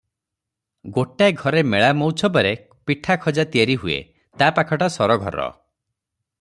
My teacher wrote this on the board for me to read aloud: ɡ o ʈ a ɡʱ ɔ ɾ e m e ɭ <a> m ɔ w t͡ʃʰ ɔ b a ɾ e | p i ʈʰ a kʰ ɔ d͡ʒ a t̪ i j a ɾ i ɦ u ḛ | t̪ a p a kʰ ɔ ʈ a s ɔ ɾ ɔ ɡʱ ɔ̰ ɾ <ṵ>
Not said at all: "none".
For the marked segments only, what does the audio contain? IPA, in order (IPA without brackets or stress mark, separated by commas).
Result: a, ɔ̰